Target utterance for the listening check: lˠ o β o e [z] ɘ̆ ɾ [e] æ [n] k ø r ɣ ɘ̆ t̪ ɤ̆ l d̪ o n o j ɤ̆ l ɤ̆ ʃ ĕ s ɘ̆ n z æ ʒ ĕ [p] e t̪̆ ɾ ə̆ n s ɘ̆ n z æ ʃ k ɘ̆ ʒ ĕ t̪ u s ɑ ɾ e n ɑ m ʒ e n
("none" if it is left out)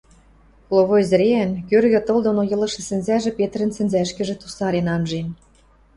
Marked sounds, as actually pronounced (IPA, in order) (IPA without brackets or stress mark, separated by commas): z, e, n, p